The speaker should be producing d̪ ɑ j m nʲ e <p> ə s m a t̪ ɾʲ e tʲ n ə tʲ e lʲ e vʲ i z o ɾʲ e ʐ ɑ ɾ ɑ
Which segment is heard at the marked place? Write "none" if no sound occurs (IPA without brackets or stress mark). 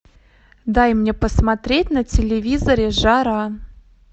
p